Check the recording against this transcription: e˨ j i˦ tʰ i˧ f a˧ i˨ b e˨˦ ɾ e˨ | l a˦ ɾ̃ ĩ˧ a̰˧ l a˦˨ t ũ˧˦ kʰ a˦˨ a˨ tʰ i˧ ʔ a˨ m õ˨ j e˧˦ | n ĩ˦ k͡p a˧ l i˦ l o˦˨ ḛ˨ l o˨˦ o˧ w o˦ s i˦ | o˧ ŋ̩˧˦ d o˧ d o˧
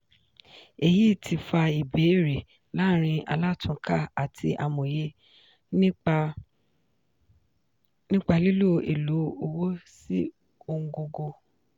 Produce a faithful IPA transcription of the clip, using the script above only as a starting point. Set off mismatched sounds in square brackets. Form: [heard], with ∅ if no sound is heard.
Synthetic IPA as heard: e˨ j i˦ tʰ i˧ f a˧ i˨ b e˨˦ ɾ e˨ | l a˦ ɾ̃ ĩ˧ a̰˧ l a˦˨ t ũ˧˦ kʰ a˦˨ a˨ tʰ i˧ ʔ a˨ m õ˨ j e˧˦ | n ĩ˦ k͡p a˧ l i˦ l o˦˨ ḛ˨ l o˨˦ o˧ w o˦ s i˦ | o˧ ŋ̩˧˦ [ɡ] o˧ [ɡ] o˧